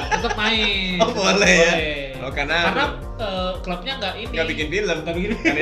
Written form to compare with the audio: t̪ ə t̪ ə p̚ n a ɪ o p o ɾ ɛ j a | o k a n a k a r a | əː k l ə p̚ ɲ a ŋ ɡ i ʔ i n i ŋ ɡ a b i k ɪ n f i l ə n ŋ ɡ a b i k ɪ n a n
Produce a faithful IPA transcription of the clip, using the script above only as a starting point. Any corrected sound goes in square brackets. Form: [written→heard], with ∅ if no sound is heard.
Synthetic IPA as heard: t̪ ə t̪ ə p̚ n a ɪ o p o [ɾ→l] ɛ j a | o k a n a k a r a | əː k l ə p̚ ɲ a ŋ ɡ [i→a] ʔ i n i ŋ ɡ a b i k ɪ n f i l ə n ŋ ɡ a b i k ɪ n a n